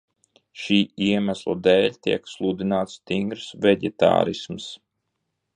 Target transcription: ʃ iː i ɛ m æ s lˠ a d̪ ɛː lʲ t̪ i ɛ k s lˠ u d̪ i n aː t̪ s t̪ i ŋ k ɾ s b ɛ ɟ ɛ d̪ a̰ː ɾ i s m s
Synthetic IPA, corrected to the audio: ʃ iː i ɛ m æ s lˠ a d̪ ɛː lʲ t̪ i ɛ k s lˠ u d̪ i n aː t̪ s t̪ i ŋ ɡ ɾ s v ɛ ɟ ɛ t̪ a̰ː ɾ i s m s